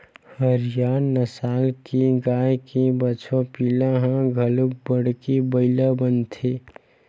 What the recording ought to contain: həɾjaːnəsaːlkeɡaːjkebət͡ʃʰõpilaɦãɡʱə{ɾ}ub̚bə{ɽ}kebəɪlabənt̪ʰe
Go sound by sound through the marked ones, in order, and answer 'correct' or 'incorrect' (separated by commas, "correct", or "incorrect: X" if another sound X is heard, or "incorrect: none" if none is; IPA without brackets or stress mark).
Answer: incorrect: l, correct